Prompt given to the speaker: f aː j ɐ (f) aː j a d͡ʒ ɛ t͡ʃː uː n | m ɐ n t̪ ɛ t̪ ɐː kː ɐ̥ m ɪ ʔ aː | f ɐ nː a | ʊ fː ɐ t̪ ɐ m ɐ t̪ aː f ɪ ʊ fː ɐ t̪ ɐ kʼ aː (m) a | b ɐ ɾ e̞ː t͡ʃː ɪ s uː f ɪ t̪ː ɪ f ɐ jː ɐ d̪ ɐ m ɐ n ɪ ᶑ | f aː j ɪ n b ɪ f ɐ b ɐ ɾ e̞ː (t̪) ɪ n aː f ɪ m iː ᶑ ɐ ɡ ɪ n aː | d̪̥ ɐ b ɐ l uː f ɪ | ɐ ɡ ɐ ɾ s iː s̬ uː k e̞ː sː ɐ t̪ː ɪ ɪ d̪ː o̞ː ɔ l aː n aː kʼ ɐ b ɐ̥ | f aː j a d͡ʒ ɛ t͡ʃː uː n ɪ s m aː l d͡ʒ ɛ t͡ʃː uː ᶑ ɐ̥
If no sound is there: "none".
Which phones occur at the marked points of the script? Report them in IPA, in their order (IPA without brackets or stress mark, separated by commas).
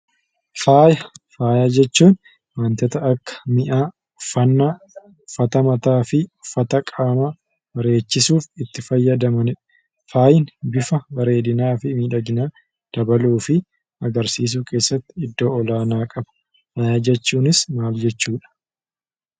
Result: f, m, d̪